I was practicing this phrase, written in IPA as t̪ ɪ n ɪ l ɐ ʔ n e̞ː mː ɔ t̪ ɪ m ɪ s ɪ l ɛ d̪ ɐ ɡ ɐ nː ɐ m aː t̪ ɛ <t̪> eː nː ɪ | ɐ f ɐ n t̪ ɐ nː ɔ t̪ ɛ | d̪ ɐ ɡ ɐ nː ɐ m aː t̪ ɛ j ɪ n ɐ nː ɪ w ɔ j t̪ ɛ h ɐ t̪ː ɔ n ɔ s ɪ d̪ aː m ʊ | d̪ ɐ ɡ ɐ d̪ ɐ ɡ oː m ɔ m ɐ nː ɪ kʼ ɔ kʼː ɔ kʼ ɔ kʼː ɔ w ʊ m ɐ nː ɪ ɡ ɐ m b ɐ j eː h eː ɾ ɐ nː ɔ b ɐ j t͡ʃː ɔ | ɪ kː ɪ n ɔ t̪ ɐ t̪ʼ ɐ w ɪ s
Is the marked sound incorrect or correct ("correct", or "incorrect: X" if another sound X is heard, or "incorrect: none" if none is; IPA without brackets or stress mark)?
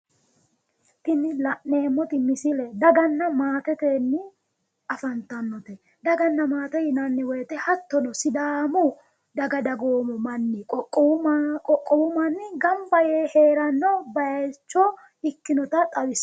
correct